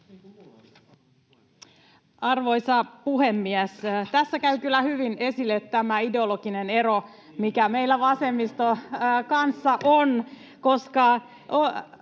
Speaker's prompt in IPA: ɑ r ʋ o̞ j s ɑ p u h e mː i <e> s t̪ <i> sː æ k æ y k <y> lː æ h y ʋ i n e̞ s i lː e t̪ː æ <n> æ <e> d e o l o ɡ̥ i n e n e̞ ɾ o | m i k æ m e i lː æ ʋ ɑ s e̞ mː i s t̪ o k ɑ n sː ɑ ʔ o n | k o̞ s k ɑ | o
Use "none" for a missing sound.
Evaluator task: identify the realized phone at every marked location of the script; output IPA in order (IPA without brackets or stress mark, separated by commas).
æ, æ, y, m, i